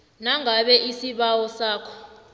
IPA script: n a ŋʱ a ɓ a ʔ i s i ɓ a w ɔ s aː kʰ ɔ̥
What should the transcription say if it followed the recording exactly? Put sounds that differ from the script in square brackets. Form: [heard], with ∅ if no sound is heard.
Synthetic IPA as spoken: n a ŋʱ a ɓ [ɛ] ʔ i s i ɓ a w ɔ s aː kʰ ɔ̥